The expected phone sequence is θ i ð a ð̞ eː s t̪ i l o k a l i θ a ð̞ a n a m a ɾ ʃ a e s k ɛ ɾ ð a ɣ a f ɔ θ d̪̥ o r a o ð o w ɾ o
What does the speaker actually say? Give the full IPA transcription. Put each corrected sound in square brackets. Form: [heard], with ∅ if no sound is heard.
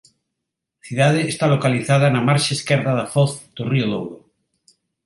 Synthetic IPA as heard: θ i ð a ð̞ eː s t̪ [a] l o k a l i θ a ð̞ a n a m a ɾ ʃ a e s k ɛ ɾ ð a [ð] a f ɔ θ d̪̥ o r [i] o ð o w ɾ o